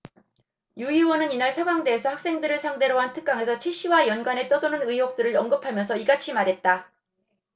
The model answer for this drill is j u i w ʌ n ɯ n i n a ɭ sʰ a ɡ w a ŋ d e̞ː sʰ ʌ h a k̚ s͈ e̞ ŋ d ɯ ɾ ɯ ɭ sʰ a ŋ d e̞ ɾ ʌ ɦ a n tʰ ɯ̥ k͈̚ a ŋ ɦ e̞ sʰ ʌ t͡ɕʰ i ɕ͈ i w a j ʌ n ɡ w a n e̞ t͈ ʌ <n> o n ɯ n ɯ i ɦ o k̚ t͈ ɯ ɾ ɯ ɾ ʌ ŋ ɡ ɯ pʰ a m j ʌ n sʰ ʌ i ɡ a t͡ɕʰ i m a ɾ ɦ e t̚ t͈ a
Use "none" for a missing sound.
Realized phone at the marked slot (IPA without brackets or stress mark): d